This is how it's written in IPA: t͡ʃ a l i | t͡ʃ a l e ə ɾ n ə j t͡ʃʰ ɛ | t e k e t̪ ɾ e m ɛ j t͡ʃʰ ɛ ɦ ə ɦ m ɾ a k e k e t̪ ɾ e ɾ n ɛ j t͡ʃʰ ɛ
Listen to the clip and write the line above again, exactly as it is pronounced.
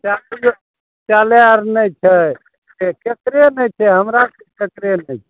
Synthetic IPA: t͡ʃ a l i | t͡ʃ a l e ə ɾ n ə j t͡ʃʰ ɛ | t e k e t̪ ɾ e n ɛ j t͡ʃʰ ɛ ɦ ə m ɾ a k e k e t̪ ɾ e n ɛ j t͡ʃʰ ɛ